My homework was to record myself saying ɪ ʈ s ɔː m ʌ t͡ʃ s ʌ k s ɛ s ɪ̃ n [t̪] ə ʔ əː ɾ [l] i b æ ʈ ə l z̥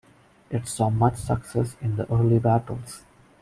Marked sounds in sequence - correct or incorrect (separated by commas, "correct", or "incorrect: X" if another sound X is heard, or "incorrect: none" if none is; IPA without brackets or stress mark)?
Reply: incorrect: d̪, correct